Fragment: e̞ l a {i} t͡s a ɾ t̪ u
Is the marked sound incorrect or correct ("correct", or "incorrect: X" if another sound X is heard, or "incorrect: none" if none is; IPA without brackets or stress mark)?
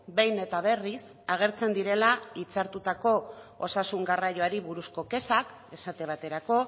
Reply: correct